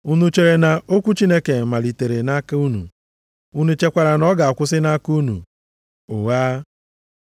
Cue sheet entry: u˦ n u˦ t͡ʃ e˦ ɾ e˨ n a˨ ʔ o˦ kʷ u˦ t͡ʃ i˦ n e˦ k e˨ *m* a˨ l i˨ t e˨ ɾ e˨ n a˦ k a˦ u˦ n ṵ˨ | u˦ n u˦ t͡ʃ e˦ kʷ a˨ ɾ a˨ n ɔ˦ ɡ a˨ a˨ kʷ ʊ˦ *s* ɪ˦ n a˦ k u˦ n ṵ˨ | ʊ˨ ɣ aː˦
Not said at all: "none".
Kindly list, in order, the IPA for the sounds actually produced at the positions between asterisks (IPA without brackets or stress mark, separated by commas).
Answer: m, s